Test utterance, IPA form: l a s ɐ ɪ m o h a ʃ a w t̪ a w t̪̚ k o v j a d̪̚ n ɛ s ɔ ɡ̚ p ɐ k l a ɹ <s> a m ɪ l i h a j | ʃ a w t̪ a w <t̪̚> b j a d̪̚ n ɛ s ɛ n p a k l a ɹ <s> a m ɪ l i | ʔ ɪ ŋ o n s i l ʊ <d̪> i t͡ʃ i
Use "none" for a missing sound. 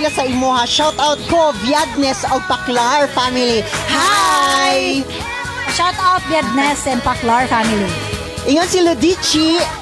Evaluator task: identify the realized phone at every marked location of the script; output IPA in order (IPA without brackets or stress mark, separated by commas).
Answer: f, t̪̚, f, d̪